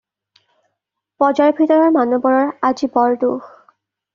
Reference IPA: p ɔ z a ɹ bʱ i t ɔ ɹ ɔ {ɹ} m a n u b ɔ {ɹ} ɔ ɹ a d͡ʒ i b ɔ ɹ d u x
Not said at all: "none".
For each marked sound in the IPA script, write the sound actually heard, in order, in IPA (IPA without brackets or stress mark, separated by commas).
ɹ, ɹ